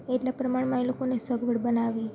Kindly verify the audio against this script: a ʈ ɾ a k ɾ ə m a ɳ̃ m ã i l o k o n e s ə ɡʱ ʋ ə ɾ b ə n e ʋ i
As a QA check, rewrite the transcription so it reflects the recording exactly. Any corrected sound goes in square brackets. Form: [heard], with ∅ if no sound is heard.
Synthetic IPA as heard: [e] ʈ [l] a [p] ɾ ə m a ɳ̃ m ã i l o k o n e s ə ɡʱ ʋ ə [ɽ] b ə n [a] ʋ i